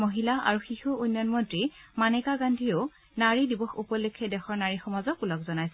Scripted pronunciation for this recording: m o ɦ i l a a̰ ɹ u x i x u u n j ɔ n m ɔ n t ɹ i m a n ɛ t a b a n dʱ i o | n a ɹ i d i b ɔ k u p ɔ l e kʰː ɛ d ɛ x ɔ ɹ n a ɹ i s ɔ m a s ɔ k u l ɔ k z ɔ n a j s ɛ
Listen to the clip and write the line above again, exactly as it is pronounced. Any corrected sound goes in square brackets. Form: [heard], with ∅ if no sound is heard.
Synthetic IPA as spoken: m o ɦ i l a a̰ ɹ u x i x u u n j ɔ n m ɔ n t ɹ i m a n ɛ [k] a [ɡ] a n dʱ i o | n a ɹ i d i b ɔ [x] u p ɔ l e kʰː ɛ d ɛ x ɔ ɹ n a ɹ i [x] ɔ m a [z] ɔ k u l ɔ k z ɔ n a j s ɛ